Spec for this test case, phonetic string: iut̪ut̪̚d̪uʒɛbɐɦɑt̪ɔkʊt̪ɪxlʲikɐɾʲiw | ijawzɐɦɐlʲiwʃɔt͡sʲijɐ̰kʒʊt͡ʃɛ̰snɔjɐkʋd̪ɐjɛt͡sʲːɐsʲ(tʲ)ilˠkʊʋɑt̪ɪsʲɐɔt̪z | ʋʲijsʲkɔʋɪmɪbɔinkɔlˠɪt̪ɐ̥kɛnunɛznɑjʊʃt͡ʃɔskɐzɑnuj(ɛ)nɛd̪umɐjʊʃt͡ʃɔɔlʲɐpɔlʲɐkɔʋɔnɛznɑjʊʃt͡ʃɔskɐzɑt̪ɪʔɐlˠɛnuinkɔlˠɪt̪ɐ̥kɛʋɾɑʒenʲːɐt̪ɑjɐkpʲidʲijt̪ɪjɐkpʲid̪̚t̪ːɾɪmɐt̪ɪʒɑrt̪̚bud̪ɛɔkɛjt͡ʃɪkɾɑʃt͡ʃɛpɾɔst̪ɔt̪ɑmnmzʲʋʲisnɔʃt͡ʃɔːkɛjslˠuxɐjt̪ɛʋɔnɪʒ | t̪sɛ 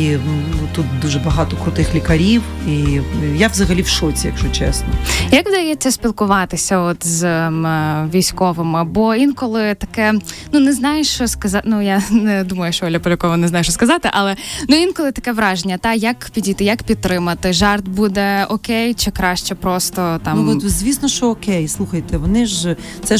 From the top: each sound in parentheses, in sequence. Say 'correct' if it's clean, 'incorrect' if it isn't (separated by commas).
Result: incorrect, incorrect